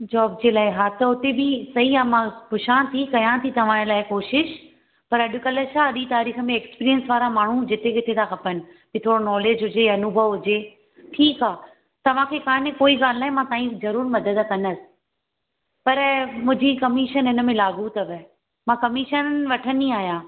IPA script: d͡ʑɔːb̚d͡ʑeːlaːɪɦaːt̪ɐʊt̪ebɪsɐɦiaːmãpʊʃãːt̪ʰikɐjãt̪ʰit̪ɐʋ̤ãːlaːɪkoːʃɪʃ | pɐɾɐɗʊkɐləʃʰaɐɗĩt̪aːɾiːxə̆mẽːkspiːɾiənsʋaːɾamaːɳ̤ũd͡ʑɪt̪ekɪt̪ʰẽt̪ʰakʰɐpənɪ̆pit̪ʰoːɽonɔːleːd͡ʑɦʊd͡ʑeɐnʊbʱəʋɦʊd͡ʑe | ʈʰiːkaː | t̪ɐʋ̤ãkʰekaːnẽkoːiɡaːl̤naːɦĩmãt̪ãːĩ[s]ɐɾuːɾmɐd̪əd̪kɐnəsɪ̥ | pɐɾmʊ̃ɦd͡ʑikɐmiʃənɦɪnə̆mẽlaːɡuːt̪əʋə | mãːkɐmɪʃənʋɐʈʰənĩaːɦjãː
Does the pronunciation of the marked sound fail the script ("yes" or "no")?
yes